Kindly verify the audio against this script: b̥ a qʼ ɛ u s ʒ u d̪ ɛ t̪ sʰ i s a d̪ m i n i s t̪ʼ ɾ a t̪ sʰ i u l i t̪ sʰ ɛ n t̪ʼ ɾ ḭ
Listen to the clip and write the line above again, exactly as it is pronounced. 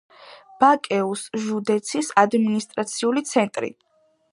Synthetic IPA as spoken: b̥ a kʼ ɛ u s ʒ u d̪ ɛ t̪ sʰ i s a d̪ m i n i s t̪ʼ ɾ a t̪ sʰ i u l i t̪ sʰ ɛ n t̪ʼ ɾ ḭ

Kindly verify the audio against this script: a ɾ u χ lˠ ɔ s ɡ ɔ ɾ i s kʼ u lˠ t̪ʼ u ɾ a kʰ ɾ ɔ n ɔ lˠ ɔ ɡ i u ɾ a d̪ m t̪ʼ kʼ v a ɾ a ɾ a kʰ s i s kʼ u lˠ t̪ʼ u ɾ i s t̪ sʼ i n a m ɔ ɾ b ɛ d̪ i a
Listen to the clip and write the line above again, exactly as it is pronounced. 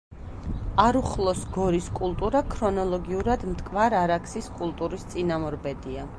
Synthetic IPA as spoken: a ɾ u χ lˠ ɔ s ɡ ɔ ɾ i s kʼ u lˠ t̪ʼ u ɾ a kʰ ɾ ɔ n ɔ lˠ ɔ ɡ i u ɾ a d̪ m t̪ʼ kʼ v a ɾ a ɾ a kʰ s i s kʼ u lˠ t̪ʼ u ɾ i s t̪ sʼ i n a m ɔ ɾ b ɛ d̪ i a

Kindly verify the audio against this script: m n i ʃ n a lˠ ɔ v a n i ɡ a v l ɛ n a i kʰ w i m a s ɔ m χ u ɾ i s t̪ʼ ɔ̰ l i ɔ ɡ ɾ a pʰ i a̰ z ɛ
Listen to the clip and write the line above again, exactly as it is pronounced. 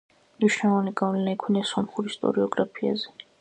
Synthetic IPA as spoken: m n i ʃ n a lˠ ɔ v a n i ɡ a v l ɛ n a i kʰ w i n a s ɔ m χ u ɾ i s t̪ʼ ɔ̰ ɾ i ɔ ɡ ɾ a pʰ i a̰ z ɛ

